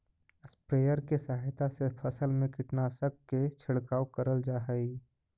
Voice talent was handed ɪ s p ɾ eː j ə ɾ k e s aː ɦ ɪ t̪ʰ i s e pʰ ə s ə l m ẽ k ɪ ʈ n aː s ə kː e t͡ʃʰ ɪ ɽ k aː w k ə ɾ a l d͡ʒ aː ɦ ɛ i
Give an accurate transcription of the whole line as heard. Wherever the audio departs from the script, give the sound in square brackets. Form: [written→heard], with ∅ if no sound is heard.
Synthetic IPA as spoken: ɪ s p ɾ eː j ə ɾ k e s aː ɦ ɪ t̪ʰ [i→a] s e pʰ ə s ə l m ẽ k ɪ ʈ n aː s ə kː e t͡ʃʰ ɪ ɽ k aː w k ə ɾ [a→ə] l d͡ʒ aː ɦ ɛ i